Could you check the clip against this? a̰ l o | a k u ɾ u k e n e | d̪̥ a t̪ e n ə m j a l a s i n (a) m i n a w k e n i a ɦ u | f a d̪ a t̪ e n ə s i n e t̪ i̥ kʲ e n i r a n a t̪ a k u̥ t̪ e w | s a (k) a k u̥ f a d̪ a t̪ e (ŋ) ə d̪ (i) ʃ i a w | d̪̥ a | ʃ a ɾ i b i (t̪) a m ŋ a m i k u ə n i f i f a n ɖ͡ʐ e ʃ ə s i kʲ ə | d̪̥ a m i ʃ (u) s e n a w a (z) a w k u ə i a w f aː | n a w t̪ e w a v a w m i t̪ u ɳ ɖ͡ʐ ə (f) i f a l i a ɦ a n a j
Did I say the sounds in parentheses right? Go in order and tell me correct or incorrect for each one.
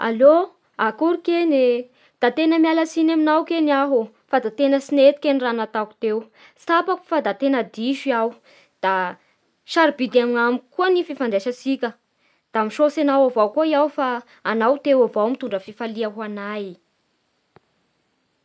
correct, incorrect: p, incorrect: n, correct, incorrect: d̪, incorrect: o, incorrect: v, correct

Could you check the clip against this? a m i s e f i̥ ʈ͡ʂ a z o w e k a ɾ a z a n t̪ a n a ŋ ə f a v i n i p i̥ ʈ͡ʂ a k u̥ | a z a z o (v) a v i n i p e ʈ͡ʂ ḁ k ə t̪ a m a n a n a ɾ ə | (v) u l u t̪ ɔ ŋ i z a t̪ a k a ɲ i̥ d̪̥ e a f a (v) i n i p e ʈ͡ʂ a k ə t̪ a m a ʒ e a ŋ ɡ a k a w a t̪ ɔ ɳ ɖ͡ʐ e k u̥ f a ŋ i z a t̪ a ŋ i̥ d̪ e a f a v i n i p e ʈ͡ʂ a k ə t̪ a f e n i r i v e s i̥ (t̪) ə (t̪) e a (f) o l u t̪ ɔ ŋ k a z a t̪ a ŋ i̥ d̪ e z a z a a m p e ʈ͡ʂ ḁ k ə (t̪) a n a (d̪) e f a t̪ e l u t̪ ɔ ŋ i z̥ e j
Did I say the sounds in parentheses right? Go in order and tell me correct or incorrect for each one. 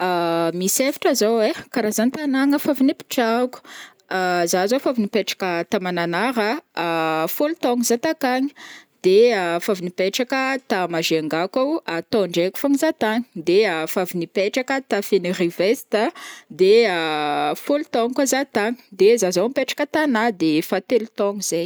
incorrect: f, incorrect: f, correct, correct, incorrect: d̪, correct, correct, correct

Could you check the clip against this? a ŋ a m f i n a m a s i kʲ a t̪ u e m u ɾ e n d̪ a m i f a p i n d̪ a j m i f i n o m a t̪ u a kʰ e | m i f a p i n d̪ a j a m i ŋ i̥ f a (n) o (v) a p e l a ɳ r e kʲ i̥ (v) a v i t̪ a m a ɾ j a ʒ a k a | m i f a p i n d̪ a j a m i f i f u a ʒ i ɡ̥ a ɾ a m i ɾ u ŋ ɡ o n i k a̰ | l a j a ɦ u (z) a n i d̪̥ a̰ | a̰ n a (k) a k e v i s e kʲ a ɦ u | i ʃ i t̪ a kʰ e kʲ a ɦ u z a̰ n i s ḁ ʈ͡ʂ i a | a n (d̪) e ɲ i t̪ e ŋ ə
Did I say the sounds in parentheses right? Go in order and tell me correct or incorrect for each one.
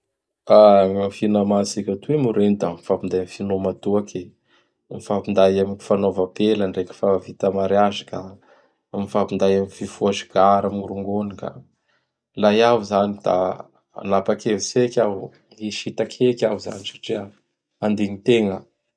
correct, correct, incorrect: f, correct, incorrect: p, correct

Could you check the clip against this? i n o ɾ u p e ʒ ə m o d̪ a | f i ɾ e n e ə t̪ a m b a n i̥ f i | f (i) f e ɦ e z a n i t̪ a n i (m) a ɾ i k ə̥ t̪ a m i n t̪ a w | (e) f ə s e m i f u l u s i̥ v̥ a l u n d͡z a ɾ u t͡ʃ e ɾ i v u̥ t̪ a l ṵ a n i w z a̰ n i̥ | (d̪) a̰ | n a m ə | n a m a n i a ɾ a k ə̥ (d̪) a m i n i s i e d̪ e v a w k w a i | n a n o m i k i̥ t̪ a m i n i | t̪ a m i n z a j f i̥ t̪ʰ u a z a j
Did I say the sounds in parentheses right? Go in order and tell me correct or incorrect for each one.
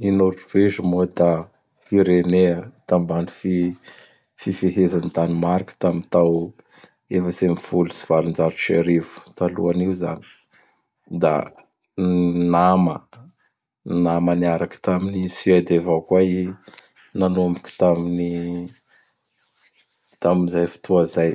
correct, correct, correct, correct, incorrect: t̪

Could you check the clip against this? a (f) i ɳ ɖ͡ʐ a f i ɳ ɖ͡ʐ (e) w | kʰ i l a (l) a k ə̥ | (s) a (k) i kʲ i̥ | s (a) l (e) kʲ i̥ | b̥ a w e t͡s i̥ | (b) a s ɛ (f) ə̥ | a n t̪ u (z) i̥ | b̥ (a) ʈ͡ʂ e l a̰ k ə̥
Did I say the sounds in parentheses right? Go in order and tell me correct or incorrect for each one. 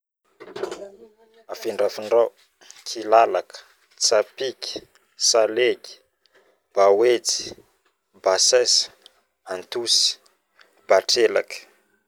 correct, incorrect: a, correct, incorrect: t͡s, incorrect: p, correct, correct, correct, incorrect: s, incorrect: s, correct

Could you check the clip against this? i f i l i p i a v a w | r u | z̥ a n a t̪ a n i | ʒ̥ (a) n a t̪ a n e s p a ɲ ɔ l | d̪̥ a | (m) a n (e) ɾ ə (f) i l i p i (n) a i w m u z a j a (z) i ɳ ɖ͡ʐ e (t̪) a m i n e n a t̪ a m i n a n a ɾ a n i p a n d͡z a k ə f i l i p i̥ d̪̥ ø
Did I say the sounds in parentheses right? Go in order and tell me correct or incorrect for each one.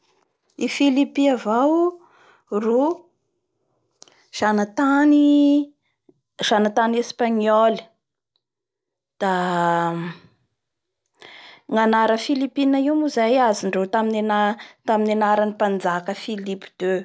correct, incorrect: ŋ, incorrect: a, correct, correct, correct, correct

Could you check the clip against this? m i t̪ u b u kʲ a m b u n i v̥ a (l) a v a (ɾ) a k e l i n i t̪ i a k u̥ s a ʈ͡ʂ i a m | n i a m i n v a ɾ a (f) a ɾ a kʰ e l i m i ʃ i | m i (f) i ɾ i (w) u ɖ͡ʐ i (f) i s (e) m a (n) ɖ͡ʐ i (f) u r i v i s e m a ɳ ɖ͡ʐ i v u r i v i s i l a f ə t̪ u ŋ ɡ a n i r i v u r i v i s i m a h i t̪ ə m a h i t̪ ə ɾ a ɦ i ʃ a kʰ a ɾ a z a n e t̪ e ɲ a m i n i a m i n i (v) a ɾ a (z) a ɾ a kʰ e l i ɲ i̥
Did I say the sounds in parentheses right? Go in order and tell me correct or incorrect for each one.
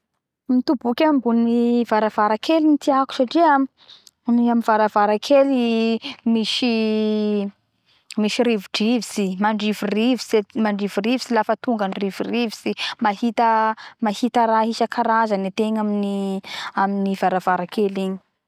incorrect: ɾ, correct, incorrect: v, incorrect: ʃ, incorrect: v, incorrect: v, incorrect: i, incorrect: ɳ, incorrect: v, correct, incorrect: v

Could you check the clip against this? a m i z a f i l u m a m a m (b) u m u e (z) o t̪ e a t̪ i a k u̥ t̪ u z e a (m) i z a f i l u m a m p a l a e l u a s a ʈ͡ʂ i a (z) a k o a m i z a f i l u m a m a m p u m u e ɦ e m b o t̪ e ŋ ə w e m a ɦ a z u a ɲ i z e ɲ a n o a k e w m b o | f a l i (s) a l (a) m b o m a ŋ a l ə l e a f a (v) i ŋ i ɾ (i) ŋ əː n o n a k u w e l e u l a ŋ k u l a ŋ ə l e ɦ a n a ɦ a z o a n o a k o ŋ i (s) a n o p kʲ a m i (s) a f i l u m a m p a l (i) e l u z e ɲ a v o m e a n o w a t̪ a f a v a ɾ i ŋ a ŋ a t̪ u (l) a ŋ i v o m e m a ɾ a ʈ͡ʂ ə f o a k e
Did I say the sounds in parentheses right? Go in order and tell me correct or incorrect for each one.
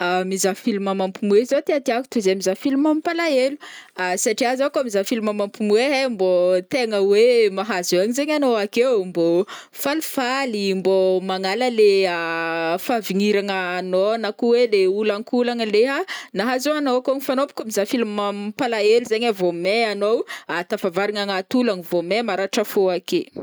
incorrect: p, correct, correct, correct, incorrect: f, incorrect: i, correct, incorrect: a, incorrect: f, incorrect: z, incorrect: a, correct

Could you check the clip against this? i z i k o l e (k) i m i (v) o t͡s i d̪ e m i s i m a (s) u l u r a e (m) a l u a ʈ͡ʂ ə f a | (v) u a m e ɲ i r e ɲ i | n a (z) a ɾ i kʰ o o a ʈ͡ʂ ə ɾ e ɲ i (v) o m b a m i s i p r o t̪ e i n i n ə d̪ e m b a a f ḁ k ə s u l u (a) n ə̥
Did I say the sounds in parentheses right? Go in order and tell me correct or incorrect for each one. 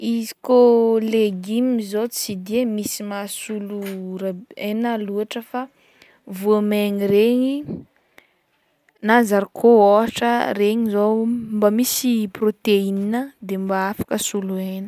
incorrect: ɡ, incorrect: z, correct, incorrect: n, correct, correct, incorrect: z, incorrect: e

